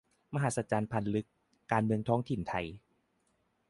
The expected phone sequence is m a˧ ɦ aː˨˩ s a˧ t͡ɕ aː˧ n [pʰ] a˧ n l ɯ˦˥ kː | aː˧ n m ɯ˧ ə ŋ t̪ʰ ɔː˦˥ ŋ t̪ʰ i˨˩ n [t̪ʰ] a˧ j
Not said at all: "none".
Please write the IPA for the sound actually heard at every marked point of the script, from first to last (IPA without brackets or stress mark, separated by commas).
pʰ, t̪ʰ